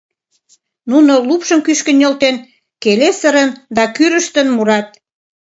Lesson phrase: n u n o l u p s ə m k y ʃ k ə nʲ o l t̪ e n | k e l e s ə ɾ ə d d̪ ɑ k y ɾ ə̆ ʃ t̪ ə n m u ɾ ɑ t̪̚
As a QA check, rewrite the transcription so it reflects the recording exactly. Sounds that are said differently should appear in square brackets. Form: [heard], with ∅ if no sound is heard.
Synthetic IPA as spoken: n u n o l u p [ʃ] ə m k y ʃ k ə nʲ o l t̪ e n | k e l e s ə ɾ ə [n] d̪ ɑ k y ɾ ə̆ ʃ t̪ ə n m u ɾ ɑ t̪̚